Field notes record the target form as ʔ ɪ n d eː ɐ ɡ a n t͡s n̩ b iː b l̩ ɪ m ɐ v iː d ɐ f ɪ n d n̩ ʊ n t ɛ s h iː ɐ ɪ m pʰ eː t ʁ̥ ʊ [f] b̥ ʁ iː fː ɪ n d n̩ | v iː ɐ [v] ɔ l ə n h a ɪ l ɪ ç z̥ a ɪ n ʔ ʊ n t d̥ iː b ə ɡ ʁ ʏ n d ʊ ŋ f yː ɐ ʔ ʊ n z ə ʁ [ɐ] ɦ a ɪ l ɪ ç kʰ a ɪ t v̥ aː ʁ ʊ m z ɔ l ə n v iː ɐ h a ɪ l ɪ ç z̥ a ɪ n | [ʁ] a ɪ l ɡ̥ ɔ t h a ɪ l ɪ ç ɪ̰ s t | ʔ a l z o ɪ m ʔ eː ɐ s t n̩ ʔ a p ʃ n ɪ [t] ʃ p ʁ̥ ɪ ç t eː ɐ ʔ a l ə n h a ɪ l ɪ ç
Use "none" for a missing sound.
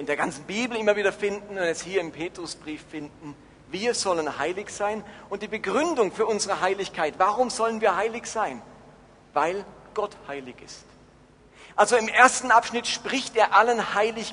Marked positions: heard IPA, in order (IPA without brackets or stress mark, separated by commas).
s, z, ə, v, t